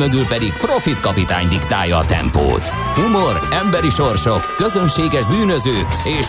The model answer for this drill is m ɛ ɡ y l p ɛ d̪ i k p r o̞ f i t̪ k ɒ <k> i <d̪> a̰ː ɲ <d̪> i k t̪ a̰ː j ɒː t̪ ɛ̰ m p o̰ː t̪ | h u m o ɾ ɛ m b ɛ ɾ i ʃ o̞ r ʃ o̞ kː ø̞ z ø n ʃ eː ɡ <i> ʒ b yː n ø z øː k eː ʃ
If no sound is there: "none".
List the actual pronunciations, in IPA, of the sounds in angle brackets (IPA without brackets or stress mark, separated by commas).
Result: p, t̪, d̪, ɛ